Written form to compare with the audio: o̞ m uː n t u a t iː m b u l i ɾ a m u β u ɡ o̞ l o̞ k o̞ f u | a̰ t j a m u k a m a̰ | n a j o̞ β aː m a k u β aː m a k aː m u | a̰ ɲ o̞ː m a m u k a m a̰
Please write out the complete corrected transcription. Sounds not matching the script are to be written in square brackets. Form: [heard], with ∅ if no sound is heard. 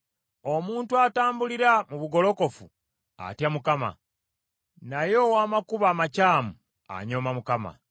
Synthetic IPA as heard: o̞ m uː n t u a t [aː] m b u l i ɾ a m u β u ɡ o̞ l o̞ k o̞ f u | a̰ t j a m u k a m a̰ | n a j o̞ [w] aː m a k u β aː m a [c] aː m u | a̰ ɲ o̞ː m a m u k a m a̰

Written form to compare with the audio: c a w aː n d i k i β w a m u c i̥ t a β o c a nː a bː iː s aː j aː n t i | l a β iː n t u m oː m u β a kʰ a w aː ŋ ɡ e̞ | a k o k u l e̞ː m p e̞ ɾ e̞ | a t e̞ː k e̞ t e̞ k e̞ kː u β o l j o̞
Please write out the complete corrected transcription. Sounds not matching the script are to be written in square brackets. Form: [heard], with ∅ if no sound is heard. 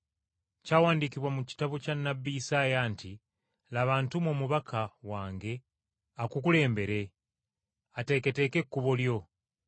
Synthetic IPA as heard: c a w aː n d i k i β w a m u c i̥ t a β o c a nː a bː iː s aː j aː n t i | l a β [aː] n t u m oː m u β a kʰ a w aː ŋ ɡ e̞ | a k [u] k u l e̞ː m [b] e̞ ɾ e̞ | a t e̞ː k e̞ t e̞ k e̞ kː u β o l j o̞

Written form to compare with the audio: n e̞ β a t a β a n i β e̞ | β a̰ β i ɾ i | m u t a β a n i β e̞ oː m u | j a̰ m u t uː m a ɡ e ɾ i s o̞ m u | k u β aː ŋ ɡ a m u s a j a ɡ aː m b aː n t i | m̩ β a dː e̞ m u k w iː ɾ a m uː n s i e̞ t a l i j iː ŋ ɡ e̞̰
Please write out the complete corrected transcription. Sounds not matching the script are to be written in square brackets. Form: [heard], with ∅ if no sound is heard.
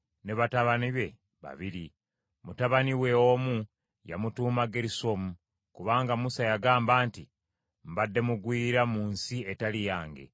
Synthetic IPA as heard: n e̞ β a t a β a n i β e̞ | β a̰ β i ɾ i | m u t a β a n i [w] e̞ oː m u | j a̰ m u t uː m a ɡ e ɾ i s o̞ m u | k u β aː ŋ ɡ a m u s a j a ɡ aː m b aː n t i | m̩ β a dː e̞ m u [ɡ] w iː ɾ a m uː n s i e̞ t a l i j [aː] ŋ ɡ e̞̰

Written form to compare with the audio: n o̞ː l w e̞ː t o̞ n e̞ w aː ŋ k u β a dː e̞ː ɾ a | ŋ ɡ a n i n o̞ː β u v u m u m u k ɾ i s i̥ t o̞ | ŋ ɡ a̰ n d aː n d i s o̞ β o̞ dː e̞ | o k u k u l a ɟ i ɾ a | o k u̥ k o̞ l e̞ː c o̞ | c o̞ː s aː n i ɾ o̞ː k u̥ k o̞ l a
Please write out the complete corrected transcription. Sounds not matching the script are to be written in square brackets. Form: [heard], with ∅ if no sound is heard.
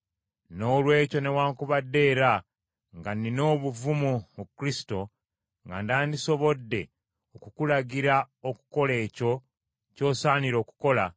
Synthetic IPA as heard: n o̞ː l w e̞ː [c] o̞ n e̞ w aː ŋ k u β a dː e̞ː ɾ a | ŋ ɡ a n i n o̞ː β u v u m u m u k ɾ i s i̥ t o̞ | ŋ ɡ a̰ n d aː n d i s o̞ β o̞ dː e̞ | o k u k u l a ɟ i ɾ a | o k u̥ k o̞ l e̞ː c o̞ | c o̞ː s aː n i ɾ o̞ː k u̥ k o̞ l a

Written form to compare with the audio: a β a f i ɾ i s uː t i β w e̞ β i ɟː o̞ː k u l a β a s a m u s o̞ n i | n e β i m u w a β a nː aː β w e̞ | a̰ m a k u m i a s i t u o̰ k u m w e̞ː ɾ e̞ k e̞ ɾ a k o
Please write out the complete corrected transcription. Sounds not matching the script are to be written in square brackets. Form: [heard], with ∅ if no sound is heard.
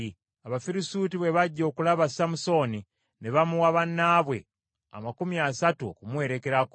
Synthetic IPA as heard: a β a f i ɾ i s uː t i β w e̞ β [a] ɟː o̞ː k u l a β a s a m u s o̞ n i | n e β [a] m u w a β a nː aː β w e̞ | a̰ m a k u m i a s [a] t u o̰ k u m w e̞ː ɾ e̞ k e̞ ɾ a k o

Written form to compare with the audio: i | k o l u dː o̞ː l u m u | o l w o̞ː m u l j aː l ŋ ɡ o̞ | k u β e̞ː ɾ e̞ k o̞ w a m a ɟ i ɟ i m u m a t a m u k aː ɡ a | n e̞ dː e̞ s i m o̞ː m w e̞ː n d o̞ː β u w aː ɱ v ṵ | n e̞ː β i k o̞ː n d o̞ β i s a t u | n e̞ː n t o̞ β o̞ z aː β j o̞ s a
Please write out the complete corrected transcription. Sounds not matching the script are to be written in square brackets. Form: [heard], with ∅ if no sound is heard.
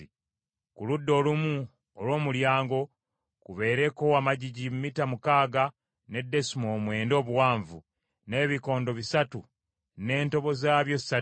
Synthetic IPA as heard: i | k [u] l u dː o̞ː l u m u | o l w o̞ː m u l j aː [∅] ŋ ɡ o̞ | k u β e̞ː ɾ e̞ k o̞ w a m a ɟ i ɟ i m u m [i] t a m u k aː ɡ a | n e̞ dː e̞ s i m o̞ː m w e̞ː n d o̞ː β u w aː ɱ v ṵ | n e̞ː β i k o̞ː n d o̞ β i s a t u | n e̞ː n t o̞ β o̞ z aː β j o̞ s a

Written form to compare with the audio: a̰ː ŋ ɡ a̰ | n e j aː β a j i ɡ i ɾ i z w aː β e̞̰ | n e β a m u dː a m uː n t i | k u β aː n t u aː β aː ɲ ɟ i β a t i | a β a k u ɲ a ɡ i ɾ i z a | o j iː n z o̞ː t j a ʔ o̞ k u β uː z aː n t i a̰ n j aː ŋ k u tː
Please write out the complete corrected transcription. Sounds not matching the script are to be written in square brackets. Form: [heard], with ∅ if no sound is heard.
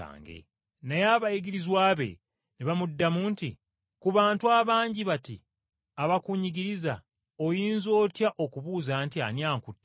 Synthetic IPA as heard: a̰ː ŋ ɡ [ḛ] | n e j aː β a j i ɡ i ɾ i z w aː β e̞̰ | n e β a m u dː a m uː n t i | k u β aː n t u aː β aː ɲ ɟ i β a t i | a β a k u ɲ [i] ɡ i ɾ i z a | o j iː n z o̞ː t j a ʔ o̞ k u β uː z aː n t i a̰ n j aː ŋ k u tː

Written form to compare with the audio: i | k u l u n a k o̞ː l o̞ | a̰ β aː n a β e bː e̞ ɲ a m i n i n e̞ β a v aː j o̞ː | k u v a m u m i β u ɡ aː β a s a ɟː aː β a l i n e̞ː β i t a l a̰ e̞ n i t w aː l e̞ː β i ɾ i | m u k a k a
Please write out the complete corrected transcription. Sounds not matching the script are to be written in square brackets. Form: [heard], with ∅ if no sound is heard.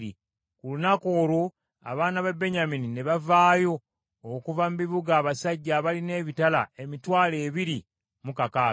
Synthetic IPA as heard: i | k u l u n a k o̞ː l o̞ | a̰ β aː n a β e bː e̞ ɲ a m i n i n e̞ β a v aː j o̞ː | k u v a m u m i β u ɡ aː β a s a ɟː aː β a l i n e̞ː β i t a l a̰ e̞ [m] i t w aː l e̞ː β i ɾ i | m u k a k a

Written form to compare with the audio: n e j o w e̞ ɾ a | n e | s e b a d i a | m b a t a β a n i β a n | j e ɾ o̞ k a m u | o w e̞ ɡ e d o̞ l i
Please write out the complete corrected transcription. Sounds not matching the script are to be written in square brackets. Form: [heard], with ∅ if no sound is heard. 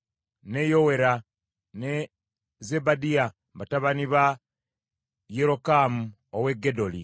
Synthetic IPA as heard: n e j o w e̞ ɾ a | n e | [z] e b a d i a | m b a t a β a n i β a [∅] | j e ɾ o̞ k a m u | o w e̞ ɡ e d o̞ l i

